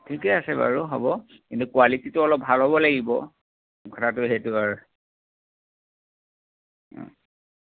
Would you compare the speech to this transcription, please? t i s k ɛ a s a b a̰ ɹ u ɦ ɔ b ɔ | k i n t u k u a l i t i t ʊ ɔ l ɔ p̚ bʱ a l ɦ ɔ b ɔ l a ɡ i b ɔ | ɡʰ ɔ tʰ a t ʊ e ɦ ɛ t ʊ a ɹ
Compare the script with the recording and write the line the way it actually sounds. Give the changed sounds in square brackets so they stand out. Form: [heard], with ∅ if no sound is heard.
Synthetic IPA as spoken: [tʰ] i [∅] k ɛ a s [ɛ] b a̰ ɹ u ɦ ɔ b ɔ | k i n t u k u a l i t i t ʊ ɔ l ɔ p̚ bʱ a l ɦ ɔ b ɔ l a ɡ i b ɔ | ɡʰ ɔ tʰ a t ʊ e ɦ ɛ t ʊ a ɹ